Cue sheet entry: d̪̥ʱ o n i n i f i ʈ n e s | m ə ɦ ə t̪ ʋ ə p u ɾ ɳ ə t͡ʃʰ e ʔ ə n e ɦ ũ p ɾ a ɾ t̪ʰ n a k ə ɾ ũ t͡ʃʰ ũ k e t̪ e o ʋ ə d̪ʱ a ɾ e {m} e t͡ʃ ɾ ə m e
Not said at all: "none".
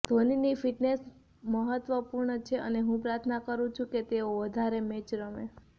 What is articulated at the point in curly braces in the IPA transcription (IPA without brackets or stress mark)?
m